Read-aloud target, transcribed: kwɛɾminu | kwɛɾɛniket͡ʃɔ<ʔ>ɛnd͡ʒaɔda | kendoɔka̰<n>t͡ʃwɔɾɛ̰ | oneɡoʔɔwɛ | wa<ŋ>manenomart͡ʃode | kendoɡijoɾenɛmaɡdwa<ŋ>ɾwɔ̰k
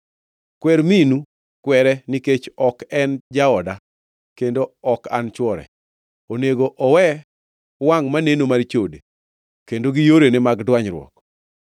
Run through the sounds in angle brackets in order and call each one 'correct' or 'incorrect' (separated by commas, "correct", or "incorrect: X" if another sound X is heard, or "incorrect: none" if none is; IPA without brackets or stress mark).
incorrect: k, correct, correct, incorrect: ɲ